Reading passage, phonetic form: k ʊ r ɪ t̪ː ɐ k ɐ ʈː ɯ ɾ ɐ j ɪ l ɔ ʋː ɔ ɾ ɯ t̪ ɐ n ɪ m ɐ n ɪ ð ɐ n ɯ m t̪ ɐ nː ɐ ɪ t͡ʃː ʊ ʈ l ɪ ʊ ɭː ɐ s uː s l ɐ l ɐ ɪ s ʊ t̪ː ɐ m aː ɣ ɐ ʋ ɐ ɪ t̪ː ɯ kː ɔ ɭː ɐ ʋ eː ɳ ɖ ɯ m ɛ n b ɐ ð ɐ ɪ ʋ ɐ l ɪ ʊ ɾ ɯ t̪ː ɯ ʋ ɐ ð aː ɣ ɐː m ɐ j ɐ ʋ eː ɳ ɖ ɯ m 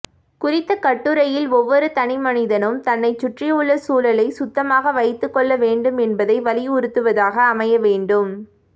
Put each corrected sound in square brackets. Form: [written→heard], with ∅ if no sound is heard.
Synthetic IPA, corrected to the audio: k ʊ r ɪ t̪ː ɐ k ɐ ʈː ɯ ɾ ɐ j ɪ l ɔ ʋː ɔ ɾ ɯ t̪ ɐ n ɪ m ɐ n ɪ ð ɐ n ɯ m t̪ ɐ nː ɐ ɪ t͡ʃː ʊ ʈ [l→r] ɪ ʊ ɭː ɐ s uː [s→∅] l ɐ l ɐ ɪ s ʊ t̪ː ɐ m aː ɣ ɐ ʋ ɐ ɪ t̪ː ɯ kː ɔ ɭː ɐ ʋ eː ɳ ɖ ɯ m ɛ n b ɐ ð ɐ ɪ ʋ ɐ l ɪ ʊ ɾ ɯ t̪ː ɯ ʋ ɐ ð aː ɣ ɐː m ɐ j ɐ ʋ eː ɳ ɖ ɯ m